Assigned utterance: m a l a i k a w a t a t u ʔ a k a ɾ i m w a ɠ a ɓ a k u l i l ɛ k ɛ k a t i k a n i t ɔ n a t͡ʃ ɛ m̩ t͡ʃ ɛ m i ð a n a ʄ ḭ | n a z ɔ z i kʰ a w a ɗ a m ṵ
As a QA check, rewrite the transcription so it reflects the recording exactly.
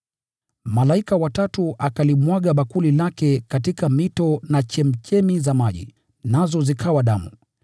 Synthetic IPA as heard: m a l a i k a w a t a t u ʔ a k a l i m w a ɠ a ɓ a k u l i l a k ɛ k a t i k a m i t ɔ n a t͡ʃ ɛ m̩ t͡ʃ ɛ m i z a m a ʄ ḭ | n a z ɔ z i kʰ a w a ɗ a m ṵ